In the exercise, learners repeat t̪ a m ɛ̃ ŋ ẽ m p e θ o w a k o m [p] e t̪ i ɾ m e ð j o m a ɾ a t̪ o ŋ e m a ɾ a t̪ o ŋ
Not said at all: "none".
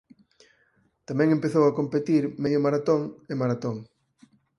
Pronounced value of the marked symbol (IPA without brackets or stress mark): p